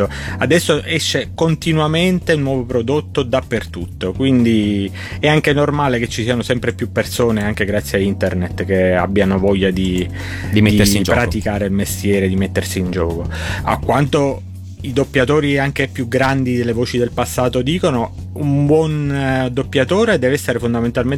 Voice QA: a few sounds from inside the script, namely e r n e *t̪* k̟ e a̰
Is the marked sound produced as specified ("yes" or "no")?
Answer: yes